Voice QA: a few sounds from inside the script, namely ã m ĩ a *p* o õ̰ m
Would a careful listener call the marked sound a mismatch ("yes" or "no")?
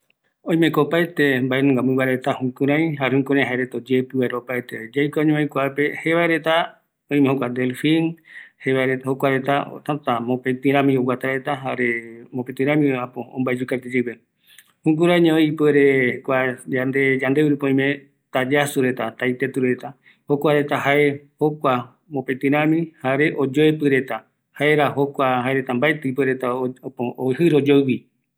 no